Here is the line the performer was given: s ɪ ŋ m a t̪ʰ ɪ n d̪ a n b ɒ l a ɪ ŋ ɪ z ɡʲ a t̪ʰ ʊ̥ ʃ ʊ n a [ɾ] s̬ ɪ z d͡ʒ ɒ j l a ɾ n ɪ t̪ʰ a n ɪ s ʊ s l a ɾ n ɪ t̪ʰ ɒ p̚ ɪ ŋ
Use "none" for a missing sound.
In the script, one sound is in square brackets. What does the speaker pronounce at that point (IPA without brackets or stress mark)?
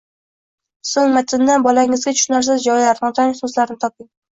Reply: ɾ